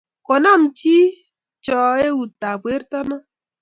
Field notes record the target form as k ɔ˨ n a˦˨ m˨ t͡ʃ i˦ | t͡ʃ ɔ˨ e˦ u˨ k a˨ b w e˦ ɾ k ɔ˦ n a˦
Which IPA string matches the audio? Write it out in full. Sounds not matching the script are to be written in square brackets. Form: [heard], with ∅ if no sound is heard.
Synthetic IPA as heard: k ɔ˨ n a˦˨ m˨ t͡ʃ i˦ | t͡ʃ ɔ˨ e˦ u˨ [t] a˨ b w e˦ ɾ [t] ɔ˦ n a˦